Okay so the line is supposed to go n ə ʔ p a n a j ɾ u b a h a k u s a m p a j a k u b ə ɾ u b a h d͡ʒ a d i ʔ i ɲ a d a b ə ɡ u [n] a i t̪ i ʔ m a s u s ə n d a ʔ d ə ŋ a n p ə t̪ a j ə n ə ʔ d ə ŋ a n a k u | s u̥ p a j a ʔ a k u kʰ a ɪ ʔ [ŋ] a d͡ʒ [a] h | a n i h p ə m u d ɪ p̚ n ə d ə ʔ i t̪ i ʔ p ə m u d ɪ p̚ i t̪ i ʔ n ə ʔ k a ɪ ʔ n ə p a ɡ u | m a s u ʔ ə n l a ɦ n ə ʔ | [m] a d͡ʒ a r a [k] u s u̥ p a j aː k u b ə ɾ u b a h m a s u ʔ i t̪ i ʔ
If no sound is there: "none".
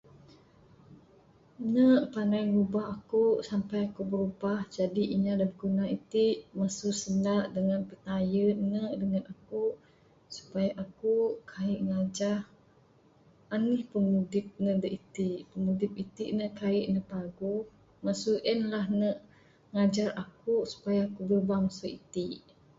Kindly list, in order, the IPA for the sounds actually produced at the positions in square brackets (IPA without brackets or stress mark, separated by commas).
n, ŋ, a, ŋ, k